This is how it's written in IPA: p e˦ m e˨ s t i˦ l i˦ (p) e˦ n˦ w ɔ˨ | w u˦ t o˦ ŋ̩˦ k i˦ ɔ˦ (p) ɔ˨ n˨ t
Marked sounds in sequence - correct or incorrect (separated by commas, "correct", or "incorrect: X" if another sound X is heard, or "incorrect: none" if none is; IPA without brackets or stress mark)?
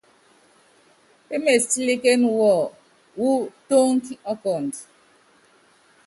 incorrect: k, incorrect: k